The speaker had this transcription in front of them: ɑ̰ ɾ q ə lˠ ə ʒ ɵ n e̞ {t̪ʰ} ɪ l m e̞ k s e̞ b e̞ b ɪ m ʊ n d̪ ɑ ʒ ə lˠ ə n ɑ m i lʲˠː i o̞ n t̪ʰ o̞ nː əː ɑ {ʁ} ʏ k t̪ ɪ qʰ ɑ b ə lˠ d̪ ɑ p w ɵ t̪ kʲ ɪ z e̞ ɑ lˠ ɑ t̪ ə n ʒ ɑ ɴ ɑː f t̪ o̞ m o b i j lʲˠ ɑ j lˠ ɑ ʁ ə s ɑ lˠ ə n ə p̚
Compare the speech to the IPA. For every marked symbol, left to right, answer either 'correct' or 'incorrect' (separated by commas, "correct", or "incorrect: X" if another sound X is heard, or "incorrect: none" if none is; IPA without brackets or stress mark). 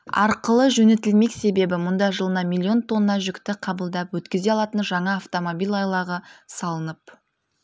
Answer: incorrect: t̪, incorrect: ʒ